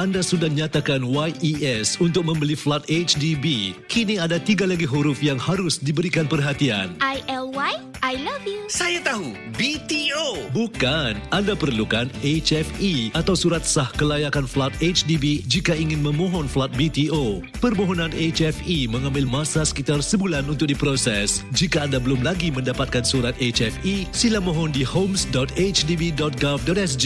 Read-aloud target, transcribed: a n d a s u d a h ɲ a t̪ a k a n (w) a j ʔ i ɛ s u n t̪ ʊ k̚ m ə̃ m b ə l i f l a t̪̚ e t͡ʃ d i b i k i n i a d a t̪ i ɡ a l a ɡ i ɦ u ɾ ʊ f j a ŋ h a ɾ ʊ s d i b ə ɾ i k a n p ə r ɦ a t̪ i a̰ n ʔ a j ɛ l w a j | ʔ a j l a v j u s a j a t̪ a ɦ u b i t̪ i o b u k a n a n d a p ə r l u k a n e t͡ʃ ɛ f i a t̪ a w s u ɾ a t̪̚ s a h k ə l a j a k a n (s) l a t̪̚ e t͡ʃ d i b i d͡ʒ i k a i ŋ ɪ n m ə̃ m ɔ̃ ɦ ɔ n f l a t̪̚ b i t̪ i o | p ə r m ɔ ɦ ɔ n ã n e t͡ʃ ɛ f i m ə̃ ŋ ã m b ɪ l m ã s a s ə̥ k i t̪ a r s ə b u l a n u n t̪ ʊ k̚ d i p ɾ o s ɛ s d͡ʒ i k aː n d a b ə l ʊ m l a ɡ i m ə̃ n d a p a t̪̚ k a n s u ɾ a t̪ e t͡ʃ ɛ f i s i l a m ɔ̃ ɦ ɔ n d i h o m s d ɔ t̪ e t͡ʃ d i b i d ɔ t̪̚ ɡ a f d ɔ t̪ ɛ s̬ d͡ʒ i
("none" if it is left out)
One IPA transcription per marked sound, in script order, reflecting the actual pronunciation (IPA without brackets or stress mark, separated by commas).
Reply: w, f